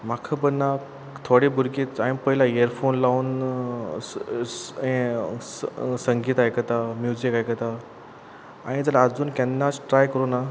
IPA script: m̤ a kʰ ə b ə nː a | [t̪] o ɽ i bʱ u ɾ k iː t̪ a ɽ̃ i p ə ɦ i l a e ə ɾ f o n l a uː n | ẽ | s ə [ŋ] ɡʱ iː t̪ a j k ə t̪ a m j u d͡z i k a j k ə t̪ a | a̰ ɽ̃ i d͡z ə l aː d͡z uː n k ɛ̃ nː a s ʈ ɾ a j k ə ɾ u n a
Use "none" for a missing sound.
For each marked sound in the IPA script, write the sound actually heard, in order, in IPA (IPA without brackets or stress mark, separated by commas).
t̪ʰ, ŋ